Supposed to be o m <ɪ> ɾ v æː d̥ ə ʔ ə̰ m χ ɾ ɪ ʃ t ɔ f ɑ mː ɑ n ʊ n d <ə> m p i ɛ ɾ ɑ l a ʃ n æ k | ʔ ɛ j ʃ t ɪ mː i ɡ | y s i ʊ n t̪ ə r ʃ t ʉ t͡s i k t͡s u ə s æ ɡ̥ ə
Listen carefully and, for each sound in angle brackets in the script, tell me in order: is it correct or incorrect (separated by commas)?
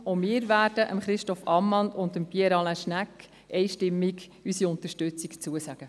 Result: incorrect, correct